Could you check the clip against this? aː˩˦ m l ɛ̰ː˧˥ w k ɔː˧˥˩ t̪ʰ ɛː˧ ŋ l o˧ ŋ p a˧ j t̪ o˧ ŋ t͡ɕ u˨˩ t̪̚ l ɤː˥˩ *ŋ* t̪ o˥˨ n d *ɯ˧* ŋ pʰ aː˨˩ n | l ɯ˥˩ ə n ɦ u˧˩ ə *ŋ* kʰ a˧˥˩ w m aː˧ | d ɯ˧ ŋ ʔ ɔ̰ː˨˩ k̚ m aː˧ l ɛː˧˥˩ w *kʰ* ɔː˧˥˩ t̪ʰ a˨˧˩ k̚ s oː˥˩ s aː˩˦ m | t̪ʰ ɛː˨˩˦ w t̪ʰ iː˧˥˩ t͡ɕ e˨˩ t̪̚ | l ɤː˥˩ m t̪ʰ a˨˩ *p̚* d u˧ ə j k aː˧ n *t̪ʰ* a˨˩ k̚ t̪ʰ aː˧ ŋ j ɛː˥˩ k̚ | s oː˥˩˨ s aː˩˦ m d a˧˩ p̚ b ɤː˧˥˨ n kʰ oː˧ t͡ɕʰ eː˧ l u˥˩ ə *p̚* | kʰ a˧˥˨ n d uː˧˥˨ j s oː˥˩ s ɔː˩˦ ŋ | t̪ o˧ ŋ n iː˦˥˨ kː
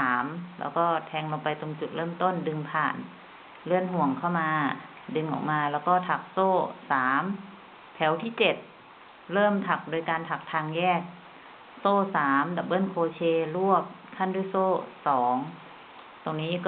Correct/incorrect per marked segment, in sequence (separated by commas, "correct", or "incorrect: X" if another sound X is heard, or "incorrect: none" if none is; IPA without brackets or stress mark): incorrect: m, correct, correct, incorrect: k, incorrect: k̚, correct, correct